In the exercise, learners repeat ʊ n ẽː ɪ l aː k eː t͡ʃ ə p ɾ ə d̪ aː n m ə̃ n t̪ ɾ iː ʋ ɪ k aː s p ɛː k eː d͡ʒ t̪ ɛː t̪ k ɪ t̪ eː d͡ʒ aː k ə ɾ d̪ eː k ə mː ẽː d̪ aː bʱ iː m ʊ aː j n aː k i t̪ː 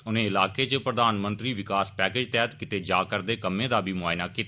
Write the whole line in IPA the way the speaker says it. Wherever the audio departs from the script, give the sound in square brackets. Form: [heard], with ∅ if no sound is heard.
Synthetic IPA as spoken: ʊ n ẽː ɪ l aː k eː t͡ʃ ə p ɾ ə d̪ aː n m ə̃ n t̪ ɾ iː ʋ ɪ k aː s p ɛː k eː d͡ʒ t̪ ɛː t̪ k ɪ t̪ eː d͡ʒ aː k ə ɾ d̪ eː k ə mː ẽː d̪ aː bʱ iː m ʊ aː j n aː k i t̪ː